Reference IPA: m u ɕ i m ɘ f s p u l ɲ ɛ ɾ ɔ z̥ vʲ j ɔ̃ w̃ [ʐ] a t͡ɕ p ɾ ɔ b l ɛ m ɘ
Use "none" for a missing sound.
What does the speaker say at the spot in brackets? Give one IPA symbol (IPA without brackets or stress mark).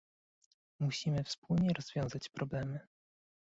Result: z